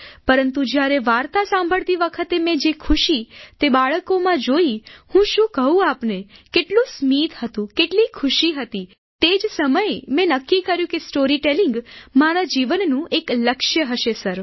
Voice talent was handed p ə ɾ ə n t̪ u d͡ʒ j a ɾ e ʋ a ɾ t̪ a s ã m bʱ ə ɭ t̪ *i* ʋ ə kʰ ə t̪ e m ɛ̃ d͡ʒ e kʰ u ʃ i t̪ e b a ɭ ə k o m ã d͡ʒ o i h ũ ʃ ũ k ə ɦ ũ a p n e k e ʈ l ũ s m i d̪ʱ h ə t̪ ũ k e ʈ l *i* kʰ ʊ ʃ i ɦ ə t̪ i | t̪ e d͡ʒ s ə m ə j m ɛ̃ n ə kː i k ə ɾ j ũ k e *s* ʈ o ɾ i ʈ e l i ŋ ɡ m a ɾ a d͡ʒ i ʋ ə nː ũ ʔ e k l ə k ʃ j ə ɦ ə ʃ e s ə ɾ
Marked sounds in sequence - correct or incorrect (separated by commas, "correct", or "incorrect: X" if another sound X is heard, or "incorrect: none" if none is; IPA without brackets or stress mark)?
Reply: correct, correct, correct